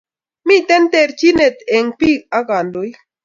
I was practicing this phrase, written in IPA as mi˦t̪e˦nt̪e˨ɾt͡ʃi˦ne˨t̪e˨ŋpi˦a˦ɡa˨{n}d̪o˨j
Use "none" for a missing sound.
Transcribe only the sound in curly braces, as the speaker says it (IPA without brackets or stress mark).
n